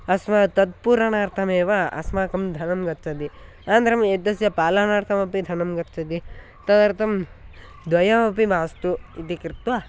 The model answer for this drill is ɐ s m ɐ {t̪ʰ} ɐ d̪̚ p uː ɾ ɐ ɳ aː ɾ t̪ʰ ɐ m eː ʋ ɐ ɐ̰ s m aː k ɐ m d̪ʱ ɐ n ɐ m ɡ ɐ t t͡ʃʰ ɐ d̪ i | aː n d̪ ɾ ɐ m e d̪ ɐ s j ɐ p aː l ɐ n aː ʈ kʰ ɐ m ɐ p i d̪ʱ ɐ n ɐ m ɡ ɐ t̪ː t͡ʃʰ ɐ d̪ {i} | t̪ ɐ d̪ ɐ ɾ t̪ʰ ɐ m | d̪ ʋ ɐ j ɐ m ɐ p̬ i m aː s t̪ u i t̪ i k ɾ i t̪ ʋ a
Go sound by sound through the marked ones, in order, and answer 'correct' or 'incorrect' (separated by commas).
incorrect, correct